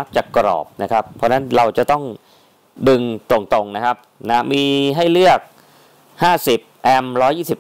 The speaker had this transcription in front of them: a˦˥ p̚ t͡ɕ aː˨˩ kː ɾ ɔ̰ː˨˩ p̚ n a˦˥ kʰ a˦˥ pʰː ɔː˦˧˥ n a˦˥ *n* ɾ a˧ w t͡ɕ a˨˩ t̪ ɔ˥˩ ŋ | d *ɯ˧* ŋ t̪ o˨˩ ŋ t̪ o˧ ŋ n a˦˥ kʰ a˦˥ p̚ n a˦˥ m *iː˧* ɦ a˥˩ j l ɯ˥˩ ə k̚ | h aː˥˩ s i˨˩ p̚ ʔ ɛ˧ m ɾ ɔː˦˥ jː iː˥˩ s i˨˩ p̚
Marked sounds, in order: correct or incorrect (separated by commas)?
correct, correct, correct